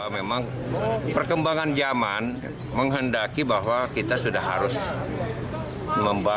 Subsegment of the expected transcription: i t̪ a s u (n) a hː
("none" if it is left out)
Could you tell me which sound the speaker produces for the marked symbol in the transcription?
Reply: d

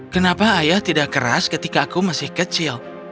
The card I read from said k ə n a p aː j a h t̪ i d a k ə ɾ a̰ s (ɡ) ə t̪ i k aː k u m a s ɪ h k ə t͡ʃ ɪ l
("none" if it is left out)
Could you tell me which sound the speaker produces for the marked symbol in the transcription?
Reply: k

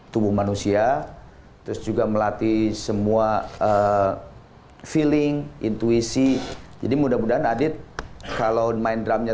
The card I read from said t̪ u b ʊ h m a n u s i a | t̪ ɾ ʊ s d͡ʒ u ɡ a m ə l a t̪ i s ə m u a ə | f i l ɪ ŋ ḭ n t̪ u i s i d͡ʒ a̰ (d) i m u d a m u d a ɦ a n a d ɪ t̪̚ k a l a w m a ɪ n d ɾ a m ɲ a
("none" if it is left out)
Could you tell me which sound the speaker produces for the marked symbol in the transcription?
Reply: d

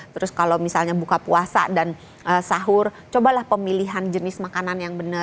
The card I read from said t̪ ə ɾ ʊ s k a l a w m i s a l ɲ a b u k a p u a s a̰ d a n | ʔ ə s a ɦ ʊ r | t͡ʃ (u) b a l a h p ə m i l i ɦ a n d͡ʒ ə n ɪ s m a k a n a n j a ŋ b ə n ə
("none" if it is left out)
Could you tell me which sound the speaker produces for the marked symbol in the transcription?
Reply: o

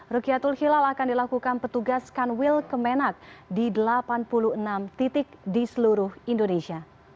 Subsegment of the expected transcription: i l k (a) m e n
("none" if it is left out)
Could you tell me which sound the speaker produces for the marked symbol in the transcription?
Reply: ə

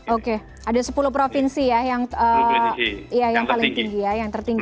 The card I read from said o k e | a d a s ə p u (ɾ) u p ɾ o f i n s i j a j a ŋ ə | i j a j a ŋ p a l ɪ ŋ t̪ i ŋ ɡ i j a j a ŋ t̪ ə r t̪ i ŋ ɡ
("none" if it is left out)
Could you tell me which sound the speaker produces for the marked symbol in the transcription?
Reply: l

